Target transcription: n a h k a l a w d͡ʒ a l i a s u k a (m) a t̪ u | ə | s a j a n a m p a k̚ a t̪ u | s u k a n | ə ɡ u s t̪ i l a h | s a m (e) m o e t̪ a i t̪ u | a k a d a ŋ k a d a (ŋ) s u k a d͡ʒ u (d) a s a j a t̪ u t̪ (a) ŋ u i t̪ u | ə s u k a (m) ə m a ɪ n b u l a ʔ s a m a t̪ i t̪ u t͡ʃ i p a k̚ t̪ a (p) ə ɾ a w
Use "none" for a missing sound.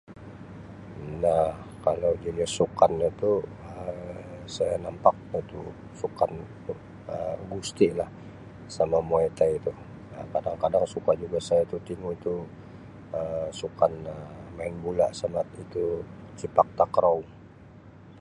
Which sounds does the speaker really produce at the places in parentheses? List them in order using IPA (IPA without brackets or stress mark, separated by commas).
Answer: n, a, ŋ, ɡ, i, n, k